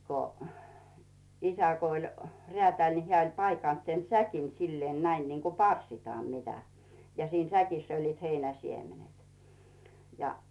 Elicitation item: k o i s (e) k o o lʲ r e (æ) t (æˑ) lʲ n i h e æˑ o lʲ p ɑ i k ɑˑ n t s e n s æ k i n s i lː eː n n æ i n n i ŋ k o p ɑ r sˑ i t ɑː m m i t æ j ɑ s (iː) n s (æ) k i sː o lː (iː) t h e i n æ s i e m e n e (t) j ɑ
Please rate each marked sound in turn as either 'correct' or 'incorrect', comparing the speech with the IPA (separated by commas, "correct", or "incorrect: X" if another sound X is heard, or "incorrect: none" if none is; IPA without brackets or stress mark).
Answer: incorrect: æ, correct, correct, correct, correct, correct, correct